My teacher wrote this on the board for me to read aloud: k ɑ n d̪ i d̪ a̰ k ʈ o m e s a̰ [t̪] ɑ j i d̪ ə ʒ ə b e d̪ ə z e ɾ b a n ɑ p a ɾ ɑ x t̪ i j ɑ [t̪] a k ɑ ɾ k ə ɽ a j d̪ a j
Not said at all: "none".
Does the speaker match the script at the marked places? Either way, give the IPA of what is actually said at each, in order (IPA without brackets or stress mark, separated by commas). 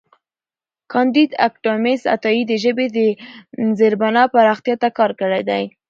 t̪, t̪